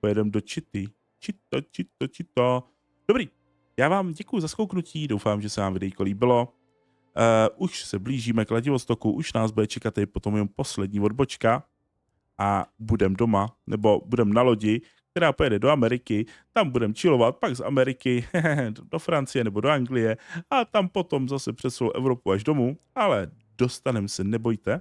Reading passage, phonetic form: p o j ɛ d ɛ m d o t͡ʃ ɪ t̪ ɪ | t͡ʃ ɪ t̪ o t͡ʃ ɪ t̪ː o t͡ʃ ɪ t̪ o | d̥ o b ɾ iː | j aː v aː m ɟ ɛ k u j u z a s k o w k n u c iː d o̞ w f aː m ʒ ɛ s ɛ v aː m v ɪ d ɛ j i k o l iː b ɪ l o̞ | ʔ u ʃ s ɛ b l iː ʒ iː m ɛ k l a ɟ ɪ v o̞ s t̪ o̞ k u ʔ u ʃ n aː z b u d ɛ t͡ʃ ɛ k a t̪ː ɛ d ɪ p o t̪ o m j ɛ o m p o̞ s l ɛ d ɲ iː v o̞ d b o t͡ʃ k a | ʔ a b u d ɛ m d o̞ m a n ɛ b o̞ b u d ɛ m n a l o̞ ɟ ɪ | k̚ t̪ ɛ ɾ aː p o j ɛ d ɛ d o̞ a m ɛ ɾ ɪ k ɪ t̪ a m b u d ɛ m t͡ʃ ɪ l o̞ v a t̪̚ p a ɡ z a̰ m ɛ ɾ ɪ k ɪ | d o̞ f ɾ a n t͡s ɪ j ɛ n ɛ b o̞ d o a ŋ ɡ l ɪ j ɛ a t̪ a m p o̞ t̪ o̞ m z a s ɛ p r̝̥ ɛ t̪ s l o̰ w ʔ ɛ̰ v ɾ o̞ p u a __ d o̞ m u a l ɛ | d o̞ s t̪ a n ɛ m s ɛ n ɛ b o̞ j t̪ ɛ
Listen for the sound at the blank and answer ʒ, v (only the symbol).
ʒ